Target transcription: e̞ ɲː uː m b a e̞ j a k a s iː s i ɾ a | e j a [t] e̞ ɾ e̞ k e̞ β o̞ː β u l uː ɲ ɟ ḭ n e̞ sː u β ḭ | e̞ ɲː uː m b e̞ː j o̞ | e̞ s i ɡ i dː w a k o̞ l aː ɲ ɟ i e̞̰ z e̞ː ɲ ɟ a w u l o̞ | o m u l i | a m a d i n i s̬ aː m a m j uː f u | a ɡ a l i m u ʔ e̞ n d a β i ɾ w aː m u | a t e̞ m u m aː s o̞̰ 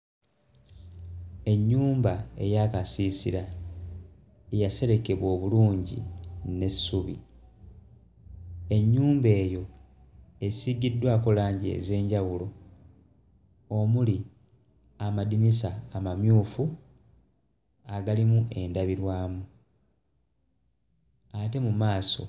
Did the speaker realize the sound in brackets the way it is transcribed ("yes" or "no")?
no